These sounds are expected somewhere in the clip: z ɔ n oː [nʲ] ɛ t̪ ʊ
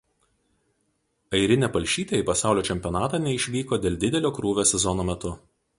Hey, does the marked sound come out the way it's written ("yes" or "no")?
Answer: no